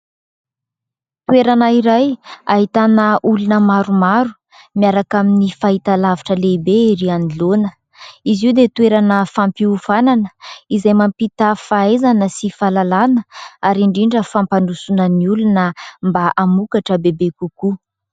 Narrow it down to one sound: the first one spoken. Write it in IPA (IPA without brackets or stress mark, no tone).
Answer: t̪